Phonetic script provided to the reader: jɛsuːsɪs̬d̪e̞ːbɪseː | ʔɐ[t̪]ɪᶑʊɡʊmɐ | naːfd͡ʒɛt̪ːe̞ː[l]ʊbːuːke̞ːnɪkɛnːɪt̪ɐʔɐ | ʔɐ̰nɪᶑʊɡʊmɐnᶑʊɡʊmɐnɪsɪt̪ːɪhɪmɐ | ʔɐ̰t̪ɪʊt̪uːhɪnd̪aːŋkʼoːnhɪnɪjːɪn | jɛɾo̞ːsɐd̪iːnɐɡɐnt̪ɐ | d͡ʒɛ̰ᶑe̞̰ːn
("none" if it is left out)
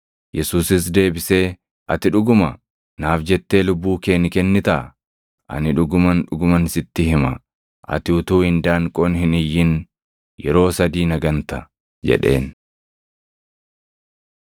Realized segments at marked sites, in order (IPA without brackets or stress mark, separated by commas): t̪, l